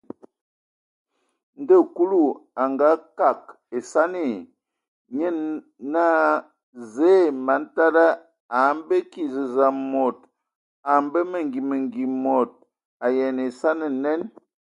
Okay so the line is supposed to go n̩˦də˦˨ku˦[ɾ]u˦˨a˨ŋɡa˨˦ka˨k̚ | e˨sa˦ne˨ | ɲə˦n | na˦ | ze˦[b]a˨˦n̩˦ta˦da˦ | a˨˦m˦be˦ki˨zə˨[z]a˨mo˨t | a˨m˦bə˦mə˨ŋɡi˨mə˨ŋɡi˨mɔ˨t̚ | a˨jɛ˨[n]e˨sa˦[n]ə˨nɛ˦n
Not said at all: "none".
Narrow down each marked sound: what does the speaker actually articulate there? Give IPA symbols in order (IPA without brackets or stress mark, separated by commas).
l, m, z, n, n